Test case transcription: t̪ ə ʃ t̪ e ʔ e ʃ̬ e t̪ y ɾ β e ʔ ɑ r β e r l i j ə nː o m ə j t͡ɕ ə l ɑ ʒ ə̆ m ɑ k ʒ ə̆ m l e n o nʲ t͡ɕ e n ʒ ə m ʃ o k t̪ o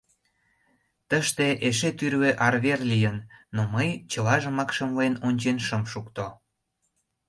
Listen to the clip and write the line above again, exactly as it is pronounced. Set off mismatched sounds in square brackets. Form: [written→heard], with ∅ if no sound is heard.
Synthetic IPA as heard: t̪ ə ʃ t̪ e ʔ e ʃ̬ e t̪ y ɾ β e ʔ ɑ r β e r l i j ə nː o m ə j t͡ɕ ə l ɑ ʒ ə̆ m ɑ k [ʒ→ʃ] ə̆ m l e n o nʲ t͡ɕ e n [ʒ→ʃ] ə m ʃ [o→u] k t̪ o